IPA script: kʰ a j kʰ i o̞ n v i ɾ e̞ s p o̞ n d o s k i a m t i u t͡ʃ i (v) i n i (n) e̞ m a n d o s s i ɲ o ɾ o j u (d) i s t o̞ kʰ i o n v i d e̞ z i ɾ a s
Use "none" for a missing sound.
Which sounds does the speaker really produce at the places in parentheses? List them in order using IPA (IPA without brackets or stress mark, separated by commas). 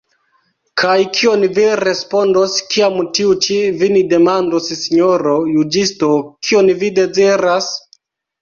v, d, d͡ʒ